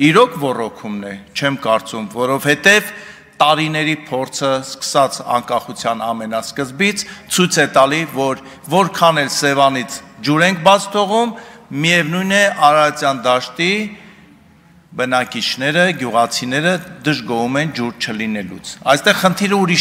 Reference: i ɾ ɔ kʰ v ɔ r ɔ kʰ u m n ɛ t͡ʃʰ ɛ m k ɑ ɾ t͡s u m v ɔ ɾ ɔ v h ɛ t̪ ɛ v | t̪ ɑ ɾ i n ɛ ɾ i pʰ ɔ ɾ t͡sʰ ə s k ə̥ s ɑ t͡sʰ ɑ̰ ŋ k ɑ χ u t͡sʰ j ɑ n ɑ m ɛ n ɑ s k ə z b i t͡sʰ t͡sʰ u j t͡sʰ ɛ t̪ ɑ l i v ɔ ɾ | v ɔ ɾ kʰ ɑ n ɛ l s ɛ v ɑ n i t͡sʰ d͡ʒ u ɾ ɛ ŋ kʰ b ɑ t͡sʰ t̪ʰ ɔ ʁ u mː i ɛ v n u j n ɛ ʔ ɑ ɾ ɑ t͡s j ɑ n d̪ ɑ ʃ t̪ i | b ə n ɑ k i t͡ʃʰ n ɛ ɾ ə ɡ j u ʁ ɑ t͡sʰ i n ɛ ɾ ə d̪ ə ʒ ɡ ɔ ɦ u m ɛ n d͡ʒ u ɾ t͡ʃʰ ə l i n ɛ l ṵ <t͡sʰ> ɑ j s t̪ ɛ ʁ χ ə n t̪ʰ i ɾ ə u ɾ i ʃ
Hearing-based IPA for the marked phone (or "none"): t͡sʰ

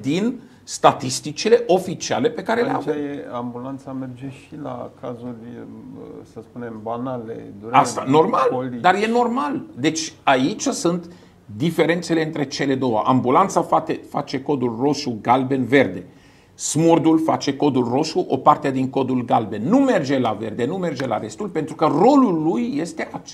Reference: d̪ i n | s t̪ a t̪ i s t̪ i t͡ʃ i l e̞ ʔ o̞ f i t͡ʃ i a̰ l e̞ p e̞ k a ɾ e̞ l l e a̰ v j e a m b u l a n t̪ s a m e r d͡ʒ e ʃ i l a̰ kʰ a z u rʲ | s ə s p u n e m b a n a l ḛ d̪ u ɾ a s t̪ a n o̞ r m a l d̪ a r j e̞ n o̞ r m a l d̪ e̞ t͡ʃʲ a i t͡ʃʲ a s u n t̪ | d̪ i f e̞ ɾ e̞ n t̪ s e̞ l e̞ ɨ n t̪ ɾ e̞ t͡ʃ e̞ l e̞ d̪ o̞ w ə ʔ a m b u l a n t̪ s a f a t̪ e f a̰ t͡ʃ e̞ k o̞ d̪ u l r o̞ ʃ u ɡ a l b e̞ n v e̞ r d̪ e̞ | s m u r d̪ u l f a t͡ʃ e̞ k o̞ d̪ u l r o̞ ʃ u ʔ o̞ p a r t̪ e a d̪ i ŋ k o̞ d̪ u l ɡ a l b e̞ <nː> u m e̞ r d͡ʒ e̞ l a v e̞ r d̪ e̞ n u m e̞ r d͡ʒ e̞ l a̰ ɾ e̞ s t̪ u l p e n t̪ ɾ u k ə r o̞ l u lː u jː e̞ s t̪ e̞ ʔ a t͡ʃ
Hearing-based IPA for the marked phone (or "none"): nː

